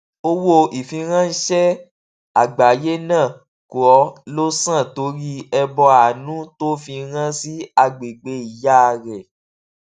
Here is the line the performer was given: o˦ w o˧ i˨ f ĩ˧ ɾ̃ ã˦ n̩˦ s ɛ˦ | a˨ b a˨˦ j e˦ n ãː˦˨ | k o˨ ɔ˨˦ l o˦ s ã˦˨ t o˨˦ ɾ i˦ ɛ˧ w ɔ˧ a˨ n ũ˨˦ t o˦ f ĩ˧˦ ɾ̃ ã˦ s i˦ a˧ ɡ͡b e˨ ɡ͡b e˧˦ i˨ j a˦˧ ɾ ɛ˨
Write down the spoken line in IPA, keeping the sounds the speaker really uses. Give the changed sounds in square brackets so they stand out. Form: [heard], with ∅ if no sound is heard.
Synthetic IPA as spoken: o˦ w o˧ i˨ f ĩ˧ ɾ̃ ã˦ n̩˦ [ʃ] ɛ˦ | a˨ [ɡ͡b] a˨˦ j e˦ n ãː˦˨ | k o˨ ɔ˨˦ l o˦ s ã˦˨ t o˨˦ ɾ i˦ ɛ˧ [b] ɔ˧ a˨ n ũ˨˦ t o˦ f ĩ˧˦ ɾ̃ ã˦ s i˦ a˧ ɡ͡b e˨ ɡ͡b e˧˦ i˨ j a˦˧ ɾ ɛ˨

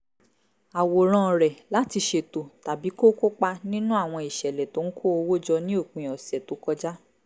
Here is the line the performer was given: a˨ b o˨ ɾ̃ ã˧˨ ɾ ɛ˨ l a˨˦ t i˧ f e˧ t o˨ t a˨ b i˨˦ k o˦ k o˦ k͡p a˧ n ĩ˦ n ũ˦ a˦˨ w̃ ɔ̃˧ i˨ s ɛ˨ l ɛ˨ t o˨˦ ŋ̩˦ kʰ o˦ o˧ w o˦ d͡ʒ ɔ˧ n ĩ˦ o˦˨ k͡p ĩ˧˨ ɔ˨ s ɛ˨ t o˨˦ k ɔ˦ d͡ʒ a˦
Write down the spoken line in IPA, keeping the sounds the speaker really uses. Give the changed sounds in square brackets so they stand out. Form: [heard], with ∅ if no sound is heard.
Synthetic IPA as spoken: a˨ [w] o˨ ɾ̃ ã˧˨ ɾ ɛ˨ l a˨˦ t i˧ [ʃ] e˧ t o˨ t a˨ b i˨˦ k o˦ k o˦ k͡p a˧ n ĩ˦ n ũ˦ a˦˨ w̃ ɔ̃˧ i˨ [ʃ] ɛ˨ l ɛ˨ t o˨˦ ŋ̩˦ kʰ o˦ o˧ w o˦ d͡ʒ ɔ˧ n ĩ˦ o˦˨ k͡p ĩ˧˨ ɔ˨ s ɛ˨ t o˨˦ k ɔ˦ d͡ʒ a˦

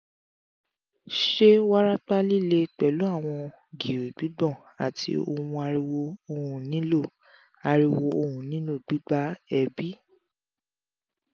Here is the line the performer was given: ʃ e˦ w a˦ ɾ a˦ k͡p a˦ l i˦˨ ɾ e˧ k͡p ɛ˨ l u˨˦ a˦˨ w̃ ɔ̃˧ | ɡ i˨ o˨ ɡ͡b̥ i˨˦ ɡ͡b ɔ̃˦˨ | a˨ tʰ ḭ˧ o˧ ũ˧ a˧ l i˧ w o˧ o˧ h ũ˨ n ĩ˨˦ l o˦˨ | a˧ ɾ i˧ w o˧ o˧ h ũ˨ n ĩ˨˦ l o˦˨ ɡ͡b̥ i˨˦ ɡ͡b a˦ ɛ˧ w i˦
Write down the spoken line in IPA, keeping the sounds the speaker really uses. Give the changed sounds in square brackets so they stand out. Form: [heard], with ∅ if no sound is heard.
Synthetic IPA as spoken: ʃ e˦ w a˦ ɾ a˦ k͡p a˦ l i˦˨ [l] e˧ k͡p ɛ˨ l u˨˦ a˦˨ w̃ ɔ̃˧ | ɡ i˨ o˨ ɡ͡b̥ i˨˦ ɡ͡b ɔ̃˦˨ | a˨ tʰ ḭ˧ o˧ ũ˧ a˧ [ɾ] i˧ w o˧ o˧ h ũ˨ n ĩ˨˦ l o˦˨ | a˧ ɾ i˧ w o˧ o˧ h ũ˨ n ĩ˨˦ l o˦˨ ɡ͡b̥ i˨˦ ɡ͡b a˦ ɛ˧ [b] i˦

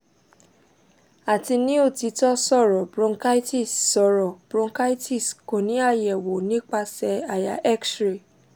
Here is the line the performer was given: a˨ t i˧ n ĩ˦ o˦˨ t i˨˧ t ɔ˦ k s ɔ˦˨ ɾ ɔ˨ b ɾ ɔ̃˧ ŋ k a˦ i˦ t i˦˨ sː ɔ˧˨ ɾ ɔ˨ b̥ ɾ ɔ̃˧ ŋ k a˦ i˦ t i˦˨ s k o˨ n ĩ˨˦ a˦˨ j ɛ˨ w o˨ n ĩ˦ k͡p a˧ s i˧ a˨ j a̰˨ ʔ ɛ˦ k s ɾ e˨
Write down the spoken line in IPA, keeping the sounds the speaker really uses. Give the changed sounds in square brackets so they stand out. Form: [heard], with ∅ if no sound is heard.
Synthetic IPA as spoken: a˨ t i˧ n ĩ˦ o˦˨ t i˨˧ t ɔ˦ [∅] s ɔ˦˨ ɾ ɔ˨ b ɾ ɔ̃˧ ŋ k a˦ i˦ t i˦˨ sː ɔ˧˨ ɾ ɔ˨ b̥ ɾ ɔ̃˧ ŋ k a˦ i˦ t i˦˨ s k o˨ n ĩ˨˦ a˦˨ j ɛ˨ w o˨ n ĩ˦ k͡p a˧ s [ɛ˧] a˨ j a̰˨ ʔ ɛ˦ k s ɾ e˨

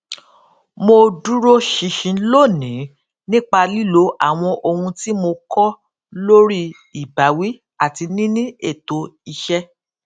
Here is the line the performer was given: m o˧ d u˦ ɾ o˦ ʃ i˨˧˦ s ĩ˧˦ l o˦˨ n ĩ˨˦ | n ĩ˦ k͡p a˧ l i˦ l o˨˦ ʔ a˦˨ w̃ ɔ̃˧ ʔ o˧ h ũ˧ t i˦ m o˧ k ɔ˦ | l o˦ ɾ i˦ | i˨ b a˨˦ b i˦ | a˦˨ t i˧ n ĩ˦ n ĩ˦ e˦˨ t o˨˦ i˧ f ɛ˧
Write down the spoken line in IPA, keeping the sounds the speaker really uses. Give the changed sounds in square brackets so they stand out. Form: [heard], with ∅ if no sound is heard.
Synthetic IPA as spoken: m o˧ d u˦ ɾ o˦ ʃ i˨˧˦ [ʃ] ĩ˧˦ l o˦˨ n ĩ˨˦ | n ĩ˦ k͡p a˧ l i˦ l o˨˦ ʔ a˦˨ w̃ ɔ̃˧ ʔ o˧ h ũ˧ t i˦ m o˧ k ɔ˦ | l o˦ ɾ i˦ | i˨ b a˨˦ [w] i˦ | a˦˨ t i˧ n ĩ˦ n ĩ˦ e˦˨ t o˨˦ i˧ [ʃ] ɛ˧

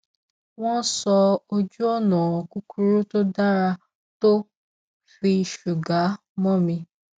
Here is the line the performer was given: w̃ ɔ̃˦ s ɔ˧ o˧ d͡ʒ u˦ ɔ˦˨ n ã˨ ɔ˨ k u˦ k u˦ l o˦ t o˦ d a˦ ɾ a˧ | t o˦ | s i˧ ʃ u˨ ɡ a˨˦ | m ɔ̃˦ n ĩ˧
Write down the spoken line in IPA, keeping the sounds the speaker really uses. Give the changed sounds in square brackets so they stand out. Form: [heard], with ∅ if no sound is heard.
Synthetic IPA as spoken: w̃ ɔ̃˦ s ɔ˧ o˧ d͡ʒ u˦ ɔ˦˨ n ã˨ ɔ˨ k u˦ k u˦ [ɾ] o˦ t o˦ d a˦ ɾ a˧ | t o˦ | [f] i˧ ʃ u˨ ɡ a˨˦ | m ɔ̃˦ [m] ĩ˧

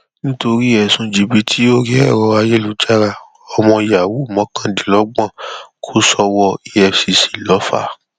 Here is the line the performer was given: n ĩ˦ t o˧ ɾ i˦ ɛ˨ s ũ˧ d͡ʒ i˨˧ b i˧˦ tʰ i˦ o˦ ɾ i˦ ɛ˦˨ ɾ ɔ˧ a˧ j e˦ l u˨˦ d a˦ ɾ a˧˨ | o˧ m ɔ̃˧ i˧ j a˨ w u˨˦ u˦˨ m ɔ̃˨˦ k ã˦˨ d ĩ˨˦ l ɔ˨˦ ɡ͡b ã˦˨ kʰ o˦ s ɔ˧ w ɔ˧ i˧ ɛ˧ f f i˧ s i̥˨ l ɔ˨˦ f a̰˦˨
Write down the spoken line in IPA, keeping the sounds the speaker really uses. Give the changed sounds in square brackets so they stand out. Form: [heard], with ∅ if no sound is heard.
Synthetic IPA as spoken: n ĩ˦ t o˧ ɾ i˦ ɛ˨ s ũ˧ d͡ʒ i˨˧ b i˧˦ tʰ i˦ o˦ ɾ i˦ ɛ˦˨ ɾ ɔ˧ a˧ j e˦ l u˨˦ [d͡ʒ] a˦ ɾ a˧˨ | [ɔ˧] m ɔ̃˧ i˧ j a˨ w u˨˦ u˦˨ m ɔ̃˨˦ k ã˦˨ d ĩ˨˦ l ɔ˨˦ ɡ͡b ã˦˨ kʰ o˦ s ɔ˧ w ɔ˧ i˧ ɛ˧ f [s] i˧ s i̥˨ l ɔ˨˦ f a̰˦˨

